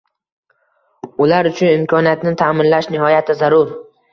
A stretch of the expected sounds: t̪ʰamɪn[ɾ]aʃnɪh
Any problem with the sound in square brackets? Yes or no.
yes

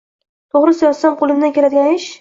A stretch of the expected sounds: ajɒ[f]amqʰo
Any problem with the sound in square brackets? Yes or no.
yes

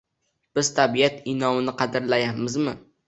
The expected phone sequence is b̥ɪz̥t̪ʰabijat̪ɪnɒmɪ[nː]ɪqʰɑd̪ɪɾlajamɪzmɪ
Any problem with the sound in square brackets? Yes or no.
yes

